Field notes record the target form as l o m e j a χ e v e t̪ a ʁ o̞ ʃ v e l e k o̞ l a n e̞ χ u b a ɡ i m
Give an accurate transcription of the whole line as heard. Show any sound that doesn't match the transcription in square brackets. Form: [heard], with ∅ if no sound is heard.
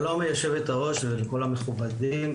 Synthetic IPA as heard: l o m e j a [ʃ] e v e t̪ a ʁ o̞ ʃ v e l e k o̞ l a [m] e̞ χ u b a [d] i m